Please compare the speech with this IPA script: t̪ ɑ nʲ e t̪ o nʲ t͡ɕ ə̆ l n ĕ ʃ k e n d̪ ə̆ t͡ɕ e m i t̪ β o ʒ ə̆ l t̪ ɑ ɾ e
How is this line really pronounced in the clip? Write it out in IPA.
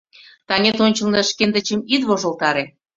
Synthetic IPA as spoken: t̪ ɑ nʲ e t̪ o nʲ t͡ɕ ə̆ l n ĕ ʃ k e n d̪ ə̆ t͡ɕ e m i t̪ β o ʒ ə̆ l t̪ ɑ ɾ e